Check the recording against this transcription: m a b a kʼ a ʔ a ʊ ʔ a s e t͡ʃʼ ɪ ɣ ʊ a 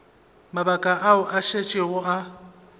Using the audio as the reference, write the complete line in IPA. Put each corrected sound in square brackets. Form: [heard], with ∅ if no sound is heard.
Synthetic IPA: m a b a kʼ a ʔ a ʊ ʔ a [ʃ] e t͡ʃʼ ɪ ɣ ʊ a